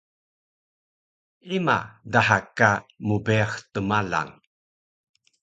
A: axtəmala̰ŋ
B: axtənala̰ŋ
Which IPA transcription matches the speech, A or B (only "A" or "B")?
A